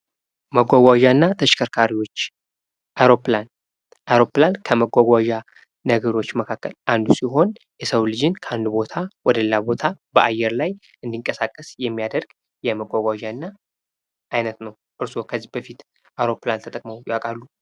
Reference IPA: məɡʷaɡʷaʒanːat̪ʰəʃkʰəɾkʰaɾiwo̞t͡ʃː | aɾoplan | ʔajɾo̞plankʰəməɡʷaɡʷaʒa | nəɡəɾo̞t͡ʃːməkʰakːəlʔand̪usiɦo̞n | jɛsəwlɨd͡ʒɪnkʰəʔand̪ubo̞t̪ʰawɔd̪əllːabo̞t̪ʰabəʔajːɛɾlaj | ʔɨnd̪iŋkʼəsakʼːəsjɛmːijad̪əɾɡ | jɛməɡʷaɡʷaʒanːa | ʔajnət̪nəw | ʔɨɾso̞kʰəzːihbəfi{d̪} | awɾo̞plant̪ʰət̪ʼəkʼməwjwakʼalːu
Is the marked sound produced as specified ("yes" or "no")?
no